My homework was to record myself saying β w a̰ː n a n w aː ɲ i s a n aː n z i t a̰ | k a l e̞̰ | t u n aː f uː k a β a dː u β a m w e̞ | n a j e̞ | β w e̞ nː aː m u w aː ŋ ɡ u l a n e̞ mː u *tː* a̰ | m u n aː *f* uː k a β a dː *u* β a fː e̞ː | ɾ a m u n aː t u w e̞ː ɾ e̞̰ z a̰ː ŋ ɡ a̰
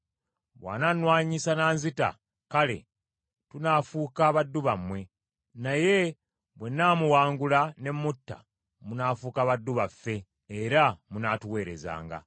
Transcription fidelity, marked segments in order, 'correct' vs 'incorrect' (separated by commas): correct, correct, correct